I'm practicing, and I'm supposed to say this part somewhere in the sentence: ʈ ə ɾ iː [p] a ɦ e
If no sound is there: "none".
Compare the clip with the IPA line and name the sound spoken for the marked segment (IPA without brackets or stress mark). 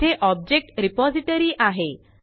ʔ